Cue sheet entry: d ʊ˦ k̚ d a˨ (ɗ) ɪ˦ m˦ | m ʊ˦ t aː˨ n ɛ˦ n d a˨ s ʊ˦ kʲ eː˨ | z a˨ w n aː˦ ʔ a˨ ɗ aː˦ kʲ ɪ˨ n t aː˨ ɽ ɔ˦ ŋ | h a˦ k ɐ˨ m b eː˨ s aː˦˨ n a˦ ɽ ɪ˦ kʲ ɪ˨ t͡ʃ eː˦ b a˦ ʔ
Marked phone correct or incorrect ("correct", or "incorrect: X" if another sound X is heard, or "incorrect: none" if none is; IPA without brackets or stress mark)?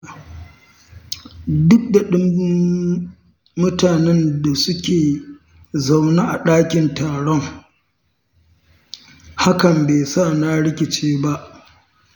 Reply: correct